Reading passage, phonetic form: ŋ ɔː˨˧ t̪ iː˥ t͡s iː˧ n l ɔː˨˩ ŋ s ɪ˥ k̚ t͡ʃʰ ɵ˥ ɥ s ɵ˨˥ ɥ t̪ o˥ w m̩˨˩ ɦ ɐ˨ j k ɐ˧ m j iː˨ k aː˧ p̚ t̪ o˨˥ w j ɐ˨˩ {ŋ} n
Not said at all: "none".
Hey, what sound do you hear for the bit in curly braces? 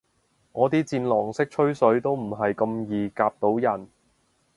none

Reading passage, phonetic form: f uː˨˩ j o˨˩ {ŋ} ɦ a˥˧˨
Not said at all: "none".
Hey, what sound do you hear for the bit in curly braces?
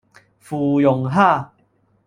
ŋ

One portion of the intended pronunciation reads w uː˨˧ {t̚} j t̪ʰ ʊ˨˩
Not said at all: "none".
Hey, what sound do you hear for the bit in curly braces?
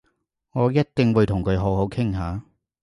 none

